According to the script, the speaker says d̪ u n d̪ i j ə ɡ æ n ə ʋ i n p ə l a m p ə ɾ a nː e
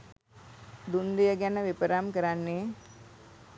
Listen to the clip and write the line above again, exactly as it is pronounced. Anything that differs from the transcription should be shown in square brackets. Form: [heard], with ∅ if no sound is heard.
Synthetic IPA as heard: d̪ u n d̪ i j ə ɡ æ n ə ʋ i [∅] p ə [ɾ] a m [k] ə ɾ a nː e